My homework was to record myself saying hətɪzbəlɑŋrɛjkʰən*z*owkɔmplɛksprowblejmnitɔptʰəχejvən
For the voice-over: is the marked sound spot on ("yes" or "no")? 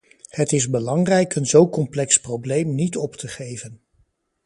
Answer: yes